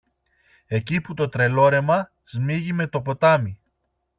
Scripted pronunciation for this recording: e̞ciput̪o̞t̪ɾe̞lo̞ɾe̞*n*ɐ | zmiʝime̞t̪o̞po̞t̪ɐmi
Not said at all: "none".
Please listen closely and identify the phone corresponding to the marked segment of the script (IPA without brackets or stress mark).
m